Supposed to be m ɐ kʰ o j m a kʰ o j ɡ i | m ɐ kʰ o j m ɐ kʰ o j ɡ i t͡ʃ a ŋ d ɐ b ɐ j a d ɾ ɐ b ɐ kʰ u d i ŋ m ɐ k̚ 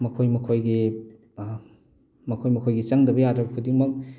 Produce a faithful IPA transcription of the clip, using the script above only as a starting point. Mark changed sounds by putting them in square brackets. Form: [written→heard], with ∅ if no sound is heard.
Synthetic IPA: m ɐ kʰ o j m [a→ɐ] kʰ o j ɡ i | m ɐ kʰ o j m ɐ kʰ o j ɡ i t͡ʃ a ŋ d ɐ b ɐ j a d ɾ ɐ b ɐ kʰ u d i ŋ m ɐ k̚